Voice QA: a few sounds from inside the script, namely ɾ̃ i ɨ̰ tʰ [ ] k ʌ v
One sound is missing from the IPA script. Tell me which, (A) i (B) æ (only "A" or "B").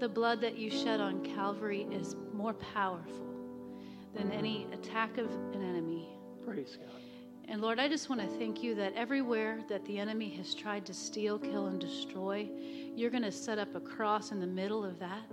B